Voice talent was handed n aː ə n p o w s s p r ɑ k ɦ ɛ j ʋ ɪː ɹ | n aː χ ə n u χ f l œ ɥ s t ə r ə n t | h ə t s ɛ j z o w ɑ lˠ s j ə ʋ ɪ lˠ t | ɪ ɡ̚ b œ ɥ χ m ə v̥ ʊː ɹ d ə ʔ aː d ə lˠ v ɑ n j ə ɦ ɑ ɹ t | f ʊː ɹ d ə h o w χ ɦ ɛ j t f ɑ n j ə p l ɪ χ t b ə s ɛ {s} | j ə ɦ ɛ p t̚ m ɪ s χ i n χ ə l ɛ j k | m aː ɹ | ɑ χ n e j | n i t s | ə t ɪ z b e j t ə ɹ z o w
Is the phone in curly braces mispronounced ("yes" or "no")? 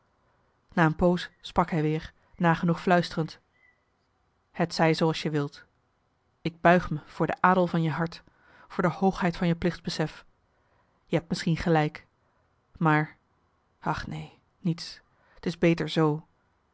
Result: yes